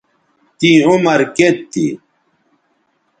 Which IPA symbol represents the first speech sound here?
t̪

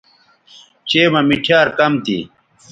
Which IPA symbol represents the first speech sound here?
t͡ɕ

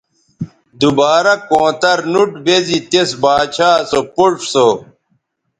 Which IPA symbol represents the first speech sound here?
d̪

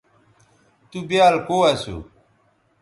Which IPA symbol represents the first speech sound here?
t̪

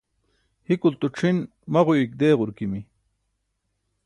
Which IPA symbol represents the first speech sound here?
h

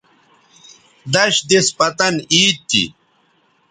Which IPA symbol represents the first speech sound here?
d̪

